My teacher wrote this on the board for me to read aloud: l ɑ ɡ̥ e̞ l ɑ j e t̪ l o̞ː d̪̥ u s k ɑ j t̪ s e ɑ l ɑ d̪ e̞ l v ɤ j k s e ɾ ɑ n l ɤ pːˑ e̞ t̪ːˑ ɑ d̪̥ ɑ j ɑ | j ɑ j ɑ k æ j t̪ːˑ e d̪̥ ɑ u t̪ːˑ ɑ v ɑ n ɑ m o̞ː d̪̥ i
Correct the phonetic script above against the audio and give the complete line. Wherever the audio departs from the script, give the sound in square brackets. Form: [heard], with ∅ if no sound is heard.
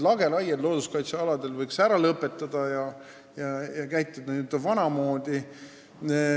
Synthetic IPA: l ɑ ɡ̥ e̞ l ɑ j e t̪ l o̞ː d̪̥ u s k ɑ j t̪ s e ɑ l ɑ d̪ e̞ l v ɤ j k s [æ] ɾ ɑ [∅] l ɤ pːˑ e̞ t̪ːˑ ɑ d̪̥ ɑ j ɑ | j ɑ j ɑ k æ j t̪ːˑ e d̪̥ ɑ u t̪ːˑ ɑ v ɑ n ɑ m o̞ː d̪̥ i